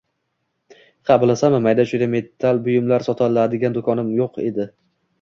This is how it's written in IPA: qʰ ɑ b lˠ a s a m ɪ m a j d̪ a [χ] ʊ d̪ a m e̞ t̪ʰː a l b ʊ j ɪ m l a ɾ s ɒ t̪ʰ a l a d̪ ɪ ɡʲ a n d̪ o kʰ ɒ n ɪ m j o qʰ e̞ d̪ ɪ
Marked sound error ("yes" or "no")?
yes